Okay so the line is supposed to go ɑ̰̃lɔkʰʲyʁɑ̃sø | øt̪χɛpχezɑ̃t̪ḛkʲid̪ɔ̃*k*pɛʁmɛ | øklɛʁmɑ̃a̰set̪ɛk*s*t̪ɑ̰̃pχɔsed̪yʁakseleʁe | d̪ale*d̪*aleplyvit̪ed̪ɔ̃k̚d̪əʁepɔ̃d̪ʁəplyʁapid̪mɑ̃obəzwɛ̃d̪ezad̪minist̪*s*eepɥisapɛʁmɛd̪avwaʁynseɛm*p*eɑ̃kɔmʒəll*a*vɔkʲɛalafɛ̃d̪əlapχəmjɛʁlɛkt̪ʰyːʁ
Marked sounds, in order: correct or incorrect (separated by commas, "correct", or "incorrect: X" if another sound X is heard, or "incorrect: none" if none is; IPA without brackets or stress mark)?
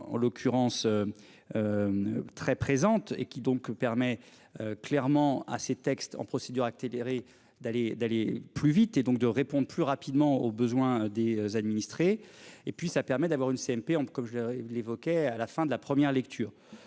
correct, correct, correct, incorrect: χ, correct, incorrect: e